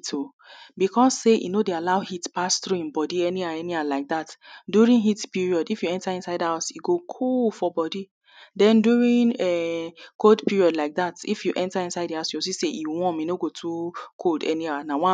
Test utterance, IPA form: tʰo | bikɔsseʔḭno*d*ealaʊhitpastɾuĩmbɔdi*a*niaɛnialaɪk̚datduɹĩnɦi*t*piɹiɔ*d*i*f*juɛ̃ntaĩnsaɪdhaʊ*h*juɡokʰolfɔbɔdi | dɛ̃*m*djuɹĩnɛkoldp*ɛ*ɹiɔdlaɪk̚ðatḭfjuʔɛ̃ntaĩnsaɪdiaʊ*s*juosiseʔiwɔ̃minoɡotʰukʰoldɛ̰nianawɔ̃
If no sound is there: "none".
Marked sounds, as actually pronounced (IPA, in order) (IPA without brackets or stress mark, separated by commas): d, ɛ, t, d, f, s, n, i, s